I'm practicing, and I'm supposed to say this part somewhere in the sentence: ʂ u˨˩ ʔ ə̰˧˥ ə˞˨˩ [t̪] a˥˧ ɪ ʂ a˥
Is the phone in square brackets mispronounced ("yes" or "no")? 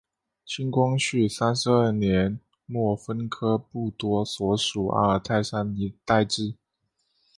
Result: yes